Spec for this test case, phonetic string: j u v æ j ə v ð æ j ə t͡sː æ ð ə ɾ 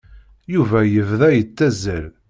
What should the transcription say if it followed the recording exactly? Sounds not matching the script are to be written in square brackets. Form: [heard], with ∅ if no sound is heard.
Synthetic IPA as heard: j u v æ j ə v ð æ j ə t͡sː æ [z] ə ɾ